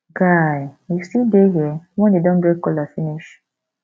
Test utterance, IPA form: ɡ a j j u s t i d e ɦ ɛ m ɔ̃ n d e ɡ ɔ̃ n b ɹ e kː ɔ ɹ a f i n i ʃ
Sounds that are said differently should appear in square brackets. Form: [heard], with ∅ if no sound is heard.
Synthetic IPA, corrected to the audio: ɡ a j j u s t i d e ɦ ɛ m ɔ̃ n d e [d] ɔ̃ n b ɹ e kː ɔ [l] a f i n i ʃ